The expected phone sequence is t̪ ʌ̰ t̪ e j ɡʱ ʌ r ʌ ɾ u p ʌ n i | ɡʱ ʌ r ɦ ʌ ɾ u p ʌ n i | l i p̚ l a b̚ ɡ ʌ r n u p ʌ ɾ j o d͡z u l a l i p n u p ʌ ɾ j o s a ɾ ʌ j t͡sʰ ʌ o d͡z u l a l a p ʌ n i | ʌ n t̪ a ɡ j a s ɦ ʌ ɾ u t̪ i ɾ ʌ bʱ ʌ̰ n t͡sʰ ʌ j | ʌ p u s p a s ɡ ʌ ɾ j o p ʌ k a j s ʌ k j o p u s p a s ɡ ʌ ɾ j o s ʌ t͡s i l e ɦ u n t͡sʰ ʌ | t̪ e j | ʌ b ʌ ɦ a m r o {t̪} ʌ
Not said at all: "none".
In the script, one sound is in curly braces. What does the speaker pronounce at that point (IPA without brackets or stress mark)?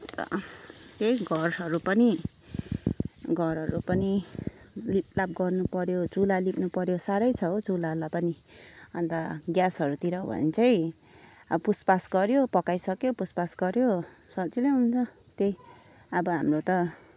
t̪